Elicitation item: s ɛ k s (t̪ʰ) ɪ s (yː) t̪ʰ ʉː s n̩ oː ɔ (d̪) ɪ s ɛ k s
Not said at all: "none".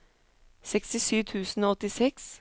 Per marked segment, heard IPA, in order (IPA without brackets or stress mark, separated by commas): t̪, yː, t̪